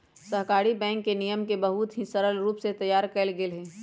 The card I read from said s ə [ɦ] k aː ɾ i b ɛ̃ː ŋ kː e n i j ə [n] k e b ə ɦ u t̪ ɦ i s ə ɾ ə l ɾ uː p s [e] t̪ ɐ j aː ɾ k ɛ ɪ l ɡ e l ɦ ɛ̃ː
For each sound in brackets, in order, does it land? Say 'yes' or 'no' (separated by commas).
yes, no, yes